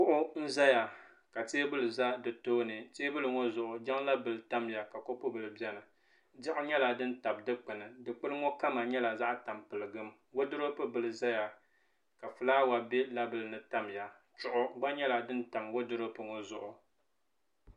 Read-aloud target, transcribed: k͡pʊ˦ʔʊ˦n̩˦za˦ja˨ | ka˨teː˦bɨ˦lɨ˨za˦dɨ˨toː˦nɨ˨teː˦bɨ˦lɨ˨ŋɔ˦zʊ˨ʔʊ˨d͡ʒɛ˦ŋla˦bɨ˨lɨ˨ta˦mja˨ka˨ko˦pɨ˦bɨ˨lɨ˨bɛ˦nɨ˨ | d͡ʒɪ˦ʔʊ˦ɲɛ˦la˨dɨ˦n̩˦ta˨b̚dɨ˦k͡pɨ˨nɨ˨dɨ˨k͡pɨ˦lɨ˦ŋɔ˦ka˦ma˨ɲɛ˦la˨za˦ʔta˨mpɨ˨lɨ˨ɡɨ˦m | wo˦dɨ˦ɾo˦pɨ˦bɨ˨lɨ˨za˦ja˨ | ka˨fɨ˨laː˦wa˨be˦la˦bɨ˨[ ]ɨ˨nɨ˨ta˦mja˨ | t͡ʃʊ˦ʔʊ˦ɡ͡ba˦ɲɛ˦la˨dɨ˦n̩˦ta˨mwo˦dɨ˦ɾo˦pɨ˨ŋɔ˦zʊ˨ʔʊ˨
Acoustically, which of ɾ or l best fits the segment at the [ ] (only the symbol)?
l